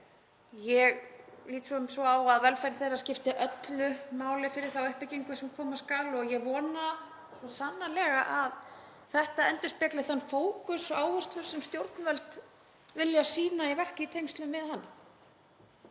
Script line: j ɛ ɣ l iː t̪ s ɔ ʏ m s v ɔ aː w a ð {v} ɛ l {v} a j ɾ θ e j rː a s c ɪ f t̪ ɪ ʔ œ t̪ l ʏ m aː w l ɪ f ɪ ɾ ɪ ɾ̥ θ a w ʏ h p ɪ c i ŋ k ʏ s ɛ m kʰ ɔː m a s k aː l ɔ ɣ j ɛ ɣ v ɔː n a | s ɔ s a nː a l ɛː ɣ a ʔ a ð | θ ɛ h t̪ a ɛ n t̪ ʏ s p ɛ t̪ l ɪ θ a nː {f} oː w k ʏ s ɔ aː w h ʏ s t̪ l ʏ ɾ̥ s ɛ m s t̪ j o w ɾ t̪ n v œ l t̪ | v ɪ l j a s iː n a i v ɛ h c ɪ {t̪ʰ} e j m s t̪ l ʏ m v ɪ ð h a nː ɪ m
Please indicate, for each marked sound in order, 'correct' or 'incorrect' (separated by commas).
correct, incorrect, correct, correct